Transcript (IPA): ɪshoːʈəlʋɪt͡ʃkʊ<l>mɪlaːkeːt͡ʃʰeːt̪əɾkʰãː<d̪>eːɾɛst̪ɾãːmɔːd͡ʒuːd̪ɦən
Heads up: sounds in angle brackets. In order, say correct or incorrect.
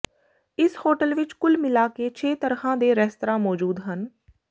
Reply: correct, correct

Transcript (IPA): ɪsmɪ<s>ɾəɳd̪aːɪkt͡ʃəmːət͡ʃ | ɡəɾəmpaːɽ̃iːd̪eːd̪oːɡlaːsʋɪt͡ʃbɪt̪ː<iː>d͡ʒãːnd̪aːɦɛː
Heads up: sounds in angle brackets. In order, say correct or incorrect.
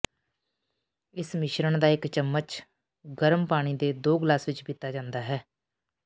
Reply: incorrect, incorrect

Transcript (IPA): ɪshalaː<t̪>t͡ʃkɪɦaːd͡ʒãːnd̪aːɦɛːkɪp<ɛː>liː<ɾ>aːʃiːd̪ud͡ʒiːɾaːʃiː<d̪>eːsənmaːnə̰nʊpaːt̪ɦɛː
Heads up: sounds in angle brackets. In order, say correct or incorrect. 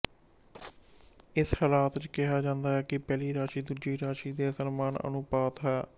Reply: correct, correct, correct, correct

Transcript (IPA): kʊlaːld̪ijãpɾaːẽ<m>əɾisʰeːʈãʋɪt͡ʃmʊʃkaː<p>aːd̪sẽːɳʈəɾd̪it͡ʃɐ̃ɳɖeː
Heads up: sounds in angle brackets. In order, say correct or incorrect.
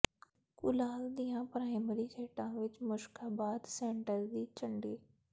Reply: correct, incorrect

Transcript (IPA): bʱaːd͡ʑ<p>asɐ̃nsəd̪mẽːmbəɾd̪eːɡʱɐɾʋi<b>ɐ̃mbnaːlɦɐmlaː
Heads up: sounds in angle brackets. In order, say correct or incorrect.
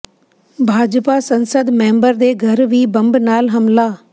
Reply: correct, correct

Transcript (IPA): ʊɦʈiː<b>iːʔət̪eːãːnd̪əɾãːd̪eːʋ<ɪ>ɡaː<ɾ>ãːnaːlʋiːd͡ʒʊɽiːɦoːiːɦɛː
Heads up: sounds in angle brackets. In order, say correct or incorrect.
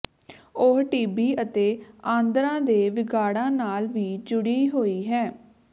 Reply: correct, correct, incorrect

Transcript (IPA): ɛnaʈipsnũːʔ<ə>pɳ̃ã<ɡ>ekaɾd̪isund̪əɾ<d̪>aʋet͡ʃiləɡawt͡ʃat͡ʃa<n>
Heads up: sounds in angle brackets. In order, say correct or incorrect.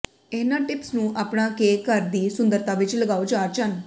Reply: incorrect, incorrect, incorrect, correct

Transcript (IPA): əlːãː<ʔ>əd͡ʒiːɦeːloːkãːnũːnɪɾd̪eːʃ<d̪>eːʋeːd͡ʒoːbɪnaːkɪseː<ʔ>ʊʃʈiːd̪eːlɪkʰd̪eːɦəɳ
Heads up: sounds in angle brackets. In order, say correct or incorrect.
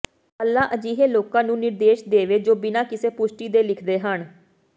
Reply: correct, correct, incorrect

